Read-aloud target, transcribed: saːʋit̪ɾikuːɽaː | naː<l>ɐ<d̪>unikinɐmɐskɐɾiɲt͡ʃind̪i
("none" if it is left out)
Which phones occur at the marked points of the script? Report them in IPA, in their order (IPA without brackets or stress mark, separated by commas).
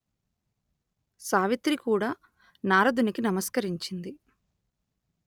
ɾ, d̪